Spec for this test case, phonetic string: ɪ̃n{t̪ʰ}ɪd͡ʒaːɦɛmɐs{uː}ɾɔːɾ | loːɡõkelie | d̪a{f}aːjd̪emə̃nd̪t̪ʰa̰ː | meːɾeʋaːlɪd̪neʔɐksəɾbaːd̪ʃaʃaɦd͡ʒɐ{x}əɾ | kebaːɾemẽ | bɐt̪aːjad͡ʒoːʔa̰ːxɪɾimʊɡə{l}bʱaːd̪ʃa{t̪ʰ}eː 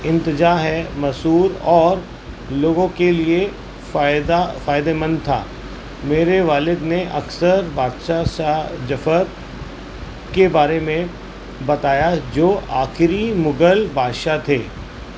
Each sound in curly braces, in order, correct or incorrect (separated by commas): incorrect, correct, correct, incorrect, correct, correct